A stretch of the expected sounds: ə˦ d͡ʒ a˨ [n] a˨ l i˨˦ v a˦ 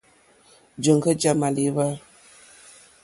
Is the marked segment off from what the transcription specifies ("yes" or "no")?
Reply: yes